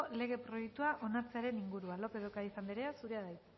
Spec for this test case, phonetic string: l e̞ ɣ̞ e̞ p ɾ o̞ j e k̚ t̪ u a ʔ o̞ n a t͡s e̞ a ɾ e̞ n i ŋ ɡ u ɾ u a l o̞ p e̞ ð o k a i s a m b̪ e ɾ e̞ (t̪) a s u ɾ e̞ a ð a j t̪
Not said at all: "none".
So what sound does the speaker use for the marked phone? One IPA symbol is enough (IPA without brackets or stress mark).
none